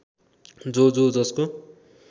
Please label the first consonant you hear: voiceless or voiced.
voiced